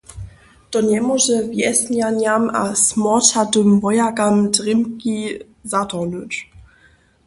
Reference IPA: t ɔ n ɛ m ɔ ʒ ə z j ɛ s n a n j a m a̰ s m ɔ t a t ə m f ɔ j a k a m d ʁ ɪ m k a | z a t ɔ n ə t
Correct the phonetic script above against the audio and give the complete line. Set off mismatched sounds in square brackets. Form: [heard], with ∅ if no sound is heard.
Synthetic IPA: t ɔ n ɛ m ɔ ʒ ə [v] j ɛ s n a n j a m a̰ s m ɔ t a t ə m [v] ɔ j a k a m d ʁ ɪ m k [i] | z a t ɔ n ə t